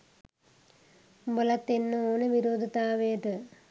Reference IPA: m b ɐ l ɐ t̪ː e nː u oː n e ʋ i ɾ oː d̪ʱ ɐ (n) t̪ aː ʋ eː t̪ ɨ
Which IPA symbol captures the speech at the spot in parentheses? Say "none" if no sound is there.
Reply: none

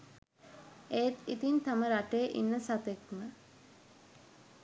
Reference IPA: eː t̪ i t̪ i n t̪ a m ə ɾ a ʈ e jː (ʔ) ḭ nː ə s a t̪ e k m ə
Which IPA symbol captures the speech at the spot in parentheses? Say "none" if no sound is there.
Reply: ʔ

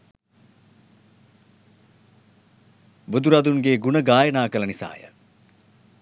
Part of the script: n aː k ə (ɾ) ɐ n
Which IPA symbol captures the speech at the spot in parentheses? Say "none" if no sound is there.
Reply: l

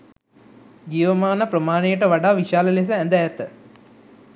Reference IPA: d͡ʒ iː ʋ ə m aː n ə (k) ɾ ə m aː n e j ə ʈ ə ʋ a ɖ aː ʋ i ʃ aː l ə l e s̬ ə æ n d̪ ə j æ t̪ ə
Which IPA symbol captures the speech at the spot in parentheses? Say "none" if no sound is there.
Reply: p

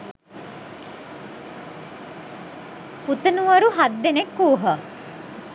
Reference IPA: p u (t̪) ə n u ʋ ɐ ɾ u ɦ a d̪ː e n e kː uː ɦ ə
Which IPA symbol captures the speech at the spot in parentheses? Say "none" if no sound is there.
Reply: t̪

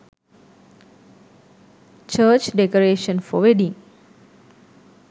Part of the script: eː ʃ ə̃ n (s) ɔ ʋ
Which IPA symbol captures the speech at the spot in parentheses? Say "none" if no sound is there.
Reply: f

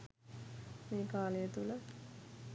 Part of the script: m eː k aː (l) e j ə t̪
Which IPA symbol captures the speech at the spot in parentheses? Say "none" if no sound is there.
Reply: l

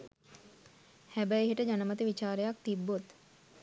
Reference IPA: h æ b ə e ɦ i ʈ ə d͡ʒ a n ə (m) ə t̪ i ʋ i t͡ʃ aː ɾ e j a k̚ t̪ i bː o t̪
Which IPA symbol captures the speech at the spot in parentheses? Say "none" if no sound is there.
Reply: m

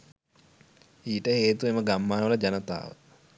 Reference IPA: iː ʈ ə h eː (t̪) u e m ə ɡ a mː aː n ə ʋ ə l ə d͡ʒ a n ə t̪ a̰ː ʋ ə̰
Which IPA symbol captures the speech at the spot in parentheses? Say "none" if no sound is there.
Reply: t̪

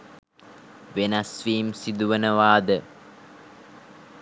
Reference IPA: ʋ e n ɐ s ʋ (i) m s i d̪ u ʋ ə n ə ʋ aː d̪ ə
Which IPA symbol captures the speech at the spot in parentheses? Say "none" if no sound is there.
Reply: iː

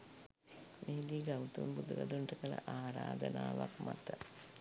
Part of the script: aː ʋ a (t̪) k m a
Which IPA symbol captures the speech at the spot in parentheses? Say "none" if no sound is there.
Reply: none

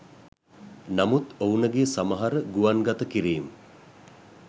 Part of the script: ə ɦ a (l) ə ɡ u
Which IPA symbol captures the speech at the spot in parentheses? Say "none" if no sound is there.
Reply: ɾ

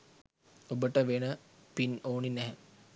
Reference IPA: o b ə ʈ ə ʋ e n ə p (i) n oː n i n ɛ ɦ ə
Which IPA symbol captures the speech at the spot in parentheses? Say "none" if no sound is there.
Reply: i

